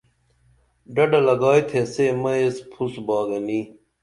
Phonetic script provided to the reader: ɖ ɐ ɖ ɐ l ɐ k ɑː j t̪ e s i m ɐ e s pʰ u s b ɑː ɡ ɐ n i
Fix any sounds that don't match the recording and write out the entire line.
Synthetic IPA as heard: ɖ ɐ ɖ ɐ l ɐ ɡ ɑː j t̪ʰ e s e m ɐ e s pʰ u s b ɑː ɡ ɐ n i